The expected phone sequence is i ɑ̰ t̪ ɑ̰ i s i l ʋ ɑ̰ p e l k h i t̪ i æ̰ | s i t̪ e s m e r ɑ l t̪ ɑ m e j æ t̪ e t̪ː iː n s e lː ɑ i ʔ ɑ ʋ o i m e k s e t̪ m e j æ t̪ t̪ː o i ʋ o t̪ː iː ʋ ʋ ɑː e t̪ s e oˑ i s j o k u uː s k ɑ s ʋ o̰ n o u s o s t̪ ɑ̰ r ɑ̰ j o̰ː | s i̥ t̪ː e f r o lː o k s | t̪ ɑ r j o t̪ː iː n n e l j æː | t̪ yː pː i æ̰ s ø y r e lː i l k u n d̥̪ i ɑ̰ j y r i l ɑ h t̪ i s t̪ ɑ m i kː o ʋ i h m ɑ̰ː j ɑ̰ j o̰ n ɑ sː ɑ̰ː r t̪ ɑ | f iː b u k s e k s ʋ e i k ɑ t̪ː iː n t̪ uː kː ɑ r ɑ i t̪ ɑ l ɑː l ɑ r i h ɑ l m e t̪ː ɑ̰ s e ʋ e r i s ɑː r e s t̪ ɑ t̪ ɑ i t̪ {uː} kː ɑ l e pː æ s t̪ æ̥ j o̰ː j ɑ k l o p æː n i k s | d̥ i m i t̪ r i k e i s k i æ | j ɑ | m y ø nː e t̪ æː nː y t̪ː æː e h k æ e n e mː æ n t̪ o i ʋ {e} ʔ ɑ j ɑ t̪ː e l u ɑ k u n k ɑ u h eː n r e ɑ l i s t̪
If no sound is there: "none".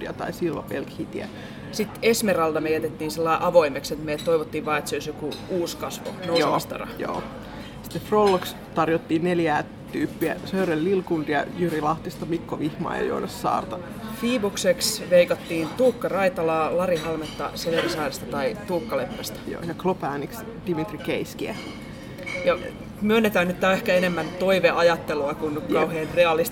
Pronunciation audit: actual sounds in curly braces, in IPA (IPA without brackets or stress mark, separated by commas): uː, e